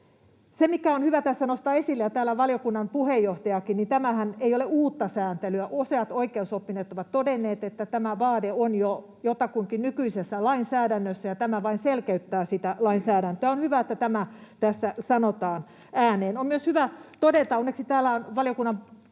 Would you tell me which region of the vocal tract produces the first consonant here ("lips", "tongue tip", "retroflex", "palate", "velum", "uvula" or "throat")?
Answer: tongue tip